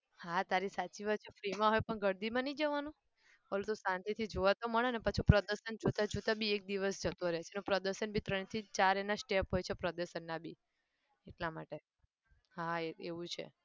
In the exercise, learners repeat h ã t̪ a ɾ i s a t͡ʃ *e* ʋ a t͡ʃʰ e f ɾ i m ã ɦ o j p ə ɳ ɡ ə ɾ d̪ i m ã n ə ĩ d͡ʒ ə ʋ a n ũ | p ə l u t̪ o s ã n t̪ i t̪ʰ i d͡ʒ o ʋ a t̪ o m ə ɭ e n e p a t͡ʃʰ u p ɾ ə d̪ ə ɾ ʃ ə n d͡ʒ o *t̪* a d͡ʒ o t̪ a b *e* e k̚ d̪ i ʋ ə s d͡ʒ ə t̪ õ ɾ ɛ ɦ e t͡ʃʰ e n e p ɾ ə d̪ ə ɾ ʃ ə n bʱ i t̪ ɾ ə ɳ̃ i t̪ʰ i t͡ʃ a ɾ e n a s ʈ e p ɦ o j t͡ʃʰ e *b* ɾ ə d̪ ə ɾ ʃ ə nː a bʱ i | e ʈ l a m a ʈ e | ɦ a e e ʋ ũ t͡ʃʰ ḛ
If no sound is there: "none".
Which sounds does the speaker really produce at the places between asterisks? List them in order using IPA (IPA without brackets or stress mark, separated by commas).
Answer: i, t̪, i, p